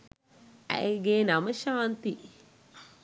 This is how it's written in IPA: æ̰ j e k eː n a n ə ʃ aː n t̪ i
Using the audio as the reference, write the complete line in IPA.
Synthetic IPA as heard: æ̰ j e ɡ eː n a m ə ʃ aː n t̪ i